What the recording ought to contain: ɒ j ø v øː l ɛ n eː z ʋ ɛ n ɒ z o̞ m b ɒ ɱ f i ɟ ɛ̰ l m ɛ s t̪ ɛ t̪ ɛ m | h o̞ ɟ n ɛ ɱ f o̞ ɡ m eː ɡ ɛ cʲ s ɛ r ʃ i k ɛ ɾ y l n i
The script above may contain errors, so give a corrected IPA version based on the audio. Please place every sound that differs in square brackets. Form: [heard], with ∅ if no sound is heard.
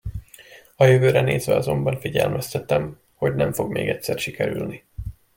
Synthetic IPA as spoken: ɒ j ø v øː [ɾ] ɛ n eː z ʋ ɛ [∅] ɒ z o̞ m b ɒ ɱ f i ɟ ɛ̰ l m ɛ s t̪ ɛ t̪ ɛ m | h o̞ ɟ n ɛ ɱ f o̞ ɡ m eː ɡ ɛ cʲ s ɛ r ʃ i k ɛ ɾ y l n i

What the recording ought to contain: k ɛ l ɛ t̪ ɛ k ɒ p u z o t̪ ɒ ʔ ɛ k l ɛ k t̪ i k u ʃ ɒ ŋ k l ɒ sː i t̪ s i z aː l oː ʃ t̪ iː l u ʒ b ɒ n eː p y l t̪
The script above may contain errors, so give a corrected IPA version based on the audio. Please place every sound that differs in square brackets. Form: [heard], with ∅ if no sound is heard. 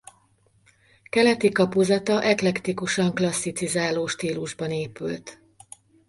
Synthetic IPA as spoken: k ɛ l ɛ t̪ [i] k ɒ p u z [ɒ] t̪ ɒ ʔ ɛ k l ɛ k t̪ i k u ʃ ɒ ŋ k l ɒ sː i t̪ s i z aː l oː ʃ t̪ iː l u ʒ b ɒ n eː p y l t̪

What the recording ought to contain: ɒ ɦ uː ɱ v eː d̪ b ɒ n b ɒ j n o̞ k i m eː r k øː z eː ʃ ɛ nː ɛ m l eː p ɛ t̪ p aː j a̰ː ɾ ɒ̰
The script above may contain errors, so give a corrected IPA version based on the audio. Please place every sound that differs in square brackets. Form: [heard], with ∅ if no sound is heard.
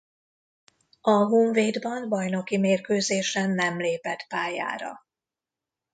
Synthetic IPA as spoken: ɒ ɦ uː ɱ v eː d̪ b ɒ n b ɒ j n o̞ k i m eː r k øː z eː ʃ ɛ nː ɛ m l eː p ɛ t̪ p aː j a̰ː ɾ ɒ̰

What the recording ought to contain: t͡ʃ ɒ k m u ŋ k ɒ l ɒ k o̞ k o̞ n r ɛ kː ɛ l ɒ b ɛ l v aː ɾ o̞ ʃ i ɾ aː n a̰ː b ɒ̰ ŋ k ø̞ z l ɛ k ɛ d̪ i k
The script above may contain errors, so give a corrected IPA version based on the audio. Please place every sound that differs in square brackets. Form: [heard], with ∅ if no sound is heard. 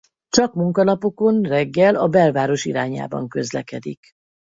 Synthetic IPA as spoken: t͡ʃ ɒ k m u ŋ k ɒ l ɒ [p] o̞ k o̞ n r ɛ [ɡː] ɛ l ɒ b ɛ l v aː ɾ o̞ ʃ i ɾ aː [ɲ] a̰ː b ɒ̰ ŋ k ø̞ z l ɛ k ɛ d̪ i k

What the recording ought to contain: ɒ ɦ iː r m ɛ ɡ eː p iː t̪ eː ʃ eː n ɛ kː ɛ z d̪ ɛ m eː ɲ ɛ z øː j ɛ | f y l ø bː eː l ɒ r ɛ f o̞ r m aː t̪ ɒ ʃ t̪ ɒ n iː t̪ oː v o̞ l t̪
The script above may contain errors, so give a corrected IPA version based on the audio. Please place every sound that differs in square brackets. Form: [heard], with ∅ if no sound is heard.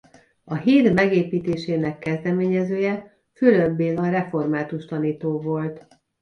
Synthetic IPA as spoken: ɒ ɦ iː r m ɛ ɡ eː p iː t̪ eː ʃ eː n ɛ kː ɛ z d̪ ɛ m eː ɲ ɛ z øː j ɛ | f y l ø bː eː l ɒ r ɛ f o̞ r m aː t̪ [u] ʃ t̪ ɒ n iː t̪ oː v o̞ l t̪

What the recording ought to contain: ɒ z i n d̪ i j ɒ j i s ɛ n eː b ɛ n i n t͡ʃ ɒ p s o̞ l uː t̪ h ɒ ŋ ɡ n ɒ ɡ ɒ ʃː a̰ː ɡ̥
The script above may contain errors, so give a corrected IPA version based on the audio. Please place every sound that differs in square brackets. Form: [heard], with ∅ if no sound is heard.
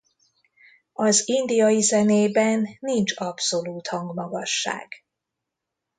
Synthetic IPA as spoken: ɒ z i n d̪ i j ɒ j i [z] ɛ n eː b ɛ [nː] i n t͡ʃ ɒ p s o̞ l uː t̪ h ɒ ŋ ɡ [m] ɒ ɡ ɒ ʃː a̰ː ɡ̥

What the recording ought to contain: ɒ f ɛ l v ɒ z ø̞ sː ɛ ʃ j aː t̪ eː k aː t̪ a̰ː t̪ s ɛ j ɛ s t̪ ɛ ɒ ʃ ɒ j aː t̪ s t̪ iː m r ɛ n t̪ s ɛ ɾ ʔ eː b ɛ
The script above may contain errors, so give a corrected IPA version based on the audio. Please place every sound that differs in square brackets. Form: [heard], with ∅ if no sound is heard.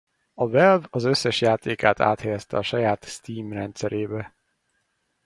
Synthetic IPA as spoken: ɒ [v] ɛ l v ɒ z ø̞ sː ɛ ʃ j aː t̪ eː k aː t̪ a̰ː t̪ [h] ɛ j ɛ s t̪ ɛ ɒ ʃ ɒ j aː t̪ s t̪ iː m r ɛ n t̪ s ɛ ɾ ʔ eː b ɛ

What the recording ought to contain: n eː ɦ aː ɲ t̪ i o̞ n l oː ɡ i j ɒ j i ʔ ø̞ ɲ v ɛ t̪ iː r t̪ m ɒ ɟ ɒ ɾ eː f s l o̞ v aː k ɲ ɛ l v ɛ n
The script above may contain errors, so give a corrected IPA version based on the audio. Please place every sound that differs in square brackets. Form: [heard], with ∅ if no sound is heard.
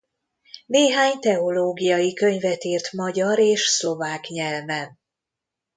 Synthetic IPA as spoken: n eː ɦ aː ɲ t̪ [ɛ] o̞ [∅] l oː ɡ i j ɒ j i [k] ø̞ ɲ v ɛ t̪ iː r t̪ m ɒ ɟ ɒ ɾ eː [ʃ] s l o̞ v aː k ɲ ɛ l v ɛ n

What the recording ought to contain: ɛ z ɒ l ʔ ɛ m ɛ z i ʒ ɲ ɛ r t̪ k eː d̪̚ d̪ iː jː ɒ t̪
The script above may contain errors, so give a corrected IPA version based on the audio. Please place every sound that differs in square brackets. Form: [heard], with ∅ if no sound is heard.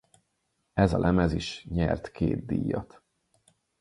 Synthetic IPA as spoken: ɛ z ɒ l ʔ ɛ m ɛ z i [ʃ] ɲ ɛ r t̪ k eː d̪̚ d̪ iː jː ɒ t̪

